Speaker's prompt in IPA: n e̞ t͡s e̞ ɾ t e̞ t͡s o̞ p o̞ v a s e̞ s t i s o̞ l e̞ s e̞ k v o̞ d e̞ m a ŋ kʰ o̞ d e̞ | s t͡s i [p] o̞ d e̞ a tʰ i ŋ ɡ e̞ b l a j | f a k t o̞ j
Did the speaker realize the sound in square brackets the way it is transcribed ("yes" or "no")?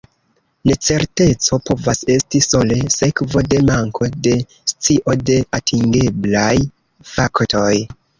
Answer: no